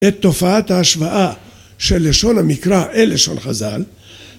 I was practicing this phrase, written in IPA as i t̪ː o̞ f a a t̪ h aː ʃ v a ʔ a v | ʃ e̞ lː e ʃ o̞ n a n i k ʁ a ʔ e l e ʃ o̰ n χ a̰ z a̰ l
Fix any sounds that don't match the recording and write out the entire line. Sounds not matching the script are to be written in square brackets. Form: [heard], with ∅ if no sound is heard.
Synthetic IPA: [e] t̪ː o̞ f a a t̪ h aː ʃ v a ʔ a [∅] | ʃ e̞ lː e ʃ o̞ n a [m] i k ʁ a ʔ e l e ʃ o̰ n χ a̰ z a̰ l